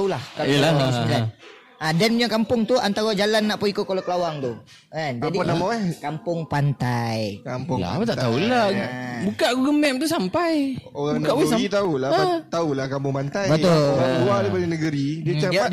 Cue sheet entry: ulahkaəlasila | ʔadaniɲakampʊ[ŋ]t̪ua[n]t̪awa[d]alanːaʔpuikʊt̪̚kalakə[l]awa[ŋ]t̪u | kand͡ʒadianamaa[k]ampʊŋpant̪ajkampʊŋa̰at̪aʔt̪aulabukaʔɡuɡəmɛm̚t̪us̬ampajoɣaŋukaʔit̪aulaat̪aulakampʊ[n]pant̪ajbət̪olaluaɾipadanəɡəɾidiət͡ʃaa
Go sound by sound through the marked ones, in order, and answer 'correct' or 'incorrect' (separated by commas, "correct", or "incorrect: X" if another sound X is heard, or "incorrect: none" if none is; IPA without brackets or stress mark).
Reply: correct, correct, incorrect: d͡ʒ, correct, correct, correct, incorrect: ŋ